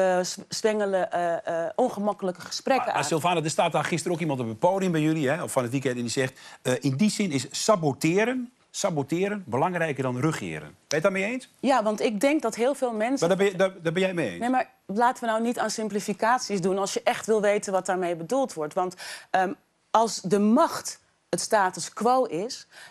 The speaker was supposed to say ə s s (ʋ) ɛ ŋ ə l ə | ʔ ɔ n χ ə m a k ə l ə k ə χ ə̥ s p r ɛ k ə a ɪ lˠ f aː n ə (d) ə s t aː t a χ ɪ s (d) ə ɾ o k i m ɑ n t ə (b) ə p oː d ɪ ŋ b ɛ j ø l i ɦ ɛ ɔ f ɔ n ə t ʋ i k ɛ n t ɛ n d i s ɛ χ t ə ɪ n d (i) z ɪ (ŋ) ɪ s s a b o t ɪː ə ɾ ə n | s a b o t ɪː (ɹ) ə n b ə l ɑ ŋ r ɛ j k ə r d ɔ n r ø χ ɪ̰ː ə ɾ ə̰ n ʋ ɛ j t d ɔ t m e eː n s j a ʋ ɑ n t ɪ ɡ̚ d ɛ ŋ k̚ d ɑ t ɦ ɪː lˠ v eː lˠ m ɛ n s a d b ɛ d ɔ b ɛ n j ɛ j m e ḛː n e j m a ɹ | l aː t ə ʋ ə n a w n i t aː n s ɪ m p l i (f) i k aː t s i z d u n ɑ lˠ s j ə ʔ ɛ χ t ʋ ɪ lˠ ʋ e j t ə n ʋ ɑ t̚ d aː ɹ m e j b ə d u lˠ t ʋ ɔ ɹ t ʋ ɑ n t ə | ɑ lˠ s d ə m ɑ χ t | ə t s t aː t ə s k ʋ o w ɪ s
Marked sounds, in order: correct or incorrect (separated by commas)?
correct, correct, incorrect, correct, correct, incorrect, incorrect, correct